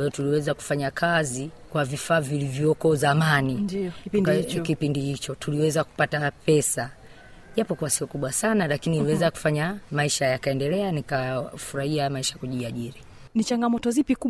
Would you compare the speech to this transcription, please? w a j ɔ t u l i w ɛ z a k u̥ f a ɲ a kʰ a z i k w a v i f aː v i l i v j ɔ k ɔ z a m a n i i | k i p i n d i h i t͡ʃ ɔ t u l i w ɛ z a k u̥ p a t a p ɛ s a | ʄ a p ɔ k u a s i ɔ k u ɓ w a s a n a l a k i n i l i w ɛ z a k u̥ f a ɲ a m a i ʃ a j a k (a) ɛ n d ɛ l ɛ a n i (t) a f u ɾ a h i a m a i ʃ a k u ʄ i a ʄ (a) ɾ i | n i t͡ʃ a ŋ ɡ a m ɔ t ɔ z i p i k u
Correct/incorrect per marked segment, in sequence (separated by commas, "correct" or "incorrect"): correct, incorrect, incorrect